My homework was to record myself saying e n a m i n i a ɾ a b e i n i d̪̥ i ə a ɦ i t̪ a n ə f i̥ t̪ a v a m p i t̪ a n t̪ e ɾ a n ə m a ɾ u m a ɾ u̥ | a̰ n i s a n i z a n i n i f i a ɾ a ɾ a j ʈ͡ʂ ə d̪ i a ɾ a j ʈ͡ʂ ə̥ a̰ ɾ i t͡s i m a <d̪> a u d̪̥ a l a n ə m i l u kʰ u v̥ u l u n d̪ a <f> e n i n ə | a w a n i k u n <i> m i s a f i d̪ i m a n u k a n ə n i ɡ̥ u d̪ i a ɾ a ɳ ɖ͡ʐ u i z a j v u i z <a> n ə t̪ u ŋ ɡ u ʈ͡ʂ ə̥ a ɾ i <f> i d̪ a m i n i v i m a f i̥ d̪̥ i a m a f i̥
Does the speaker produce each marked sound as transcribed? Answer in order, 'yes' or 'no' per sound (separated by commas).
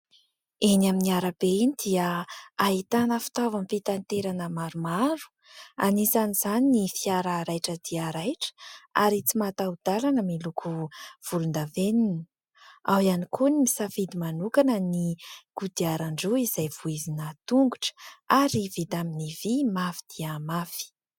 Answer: no, no, yes, no, no